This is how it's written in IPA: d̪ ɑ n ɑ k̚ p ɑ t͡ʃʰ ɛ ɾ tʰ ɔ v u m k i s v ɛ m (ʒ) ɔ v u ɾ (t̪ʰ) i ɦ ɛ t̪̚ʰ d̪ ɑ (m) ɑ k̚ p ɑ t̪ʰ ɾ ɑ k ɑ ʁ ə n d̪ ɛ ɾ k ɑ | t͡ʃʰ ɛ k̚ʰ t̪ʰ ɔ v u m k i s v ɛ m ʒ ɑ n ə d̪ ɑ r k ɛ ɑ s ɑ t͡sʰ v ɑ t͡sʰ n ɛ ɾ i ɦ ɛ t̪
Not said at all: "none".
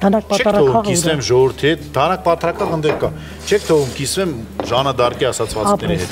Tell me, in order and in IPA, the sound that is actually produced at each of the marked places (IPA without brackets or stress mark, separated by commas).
ʒ, t̪ʰ, n